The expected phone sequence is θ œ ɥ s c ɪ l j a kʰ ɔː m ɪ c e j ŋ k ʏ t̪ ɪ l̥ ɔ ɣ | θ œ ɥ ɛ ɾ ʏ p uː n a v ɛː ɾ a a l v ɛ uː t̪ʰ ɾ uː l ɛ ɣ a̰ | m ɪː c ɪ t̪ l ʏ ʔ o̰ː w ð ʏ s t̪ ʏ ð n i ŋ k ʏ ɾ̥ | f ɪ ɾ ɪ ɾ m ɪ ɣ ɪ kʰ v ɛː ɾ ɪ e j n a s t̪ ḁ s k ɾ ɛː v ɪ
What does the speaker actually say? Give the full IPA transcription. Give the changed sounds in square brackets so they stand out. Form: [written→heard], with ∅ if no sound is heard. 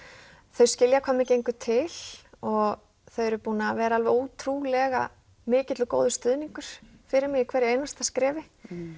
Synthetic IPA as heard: θ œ ɥ s c ɪ l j a kʰ ɔː m ɪ c e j ŋ k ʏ [t̪→t̪ʰ] ɪ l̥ ɔ ɣ | θ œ ɥ ɛ ɾ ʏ p uː n a v ɛː ɾ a a l v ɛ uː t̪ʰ ɾ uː l ɛ ɣ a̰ | m ɪː c ɪ t̪ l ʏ [ʔ→k] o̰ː w ð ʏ s t̪ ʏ ð n i ŋ k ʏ ɾ̥ | f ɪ ɾ ɪ ɾ m ɪ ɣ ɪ kʰ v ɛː ɾ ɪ e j n a s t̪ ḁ s k ɾ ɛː v ɪ